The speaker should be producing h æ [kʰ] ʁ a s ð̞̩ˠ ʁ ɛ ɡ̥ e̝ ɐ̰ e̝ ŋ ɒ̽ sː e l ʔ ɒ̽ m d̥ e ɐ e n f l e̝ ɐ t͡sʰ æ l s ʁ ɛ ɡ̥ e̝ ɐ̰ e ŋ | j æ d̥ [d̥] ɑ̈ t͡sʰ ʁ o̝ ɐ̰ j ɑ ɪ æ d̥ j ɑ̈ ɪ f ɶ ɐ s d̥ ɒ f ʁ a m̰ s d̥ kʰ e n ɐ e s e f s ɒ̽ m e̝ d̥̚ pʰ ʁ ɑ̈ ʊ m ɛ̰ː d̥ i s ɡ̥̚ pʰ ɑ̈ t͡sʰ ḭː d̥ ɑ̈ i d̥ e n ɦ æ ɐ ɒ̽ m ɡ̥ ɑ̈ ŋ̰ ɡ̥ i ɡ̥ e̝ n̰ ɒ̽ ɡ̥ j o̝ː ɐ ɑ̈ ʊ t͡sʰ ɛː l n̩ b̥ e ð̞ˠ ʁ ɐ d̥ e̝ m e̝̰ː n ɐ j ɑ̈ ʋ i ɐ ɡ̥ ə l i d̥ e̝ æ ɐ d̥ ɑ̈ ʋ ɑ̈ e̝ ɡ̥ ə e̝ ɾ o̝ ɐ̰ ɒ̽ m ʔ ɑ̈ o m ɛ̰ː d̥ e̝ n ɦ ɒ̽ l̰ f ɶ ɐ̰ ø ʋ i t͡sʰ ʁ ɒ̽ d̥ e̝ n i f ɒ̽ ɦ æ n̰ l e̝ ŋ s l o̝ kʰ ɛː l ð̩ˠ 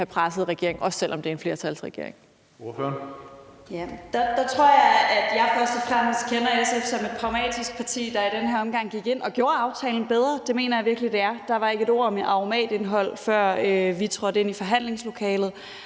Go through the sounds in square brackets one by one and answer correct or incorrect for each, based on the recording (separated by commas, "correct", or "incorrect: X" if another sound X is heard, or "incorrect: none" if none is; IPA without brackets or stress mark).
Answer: incorrect: pʰ, correct